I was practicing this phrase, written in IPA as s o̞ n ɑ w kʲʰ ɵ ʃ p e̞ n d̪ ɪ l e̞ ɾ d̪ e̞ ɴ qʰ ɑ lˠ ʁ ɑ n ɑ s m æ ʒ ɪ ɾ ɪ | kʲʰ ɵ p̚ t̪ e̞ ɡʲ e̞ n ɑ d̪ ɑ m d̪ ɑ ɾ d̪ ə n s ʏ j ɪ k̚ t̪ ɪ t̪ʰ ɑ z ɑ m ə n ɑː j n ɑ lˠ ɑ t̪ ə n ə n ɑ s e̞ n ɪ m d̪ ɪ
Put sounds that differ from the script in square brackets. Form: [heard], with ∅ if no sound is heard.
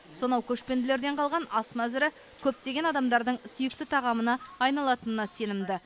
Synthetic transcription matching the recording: s o̞ n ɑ w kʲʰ ɵ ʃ p e̞ n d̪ ɪ l e̞ ɾ d̪ e̞ ɴ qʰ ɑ lˠ ʁ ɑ n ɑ s m æ [z] ɪ ɾ ɪ | kʲʰ ɵ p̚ t̪ e̞ ɡʲ e̞ n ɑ d̪ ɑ m d̪ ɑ ɾ d̪ ə [ɴ] s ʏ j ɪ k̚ t̪ ɪ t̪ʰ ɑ [ʁ] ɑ m ə n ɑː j n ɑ lˠ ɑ t̪ ə n ə n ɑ s e̞ n ɪ m d̪ ɪ